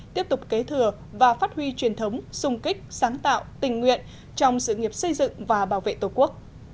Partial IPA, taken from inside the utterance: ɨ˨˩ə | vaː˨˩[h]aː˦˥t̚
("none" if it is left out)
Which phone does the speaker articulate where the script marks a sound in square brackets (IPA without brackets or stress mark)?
f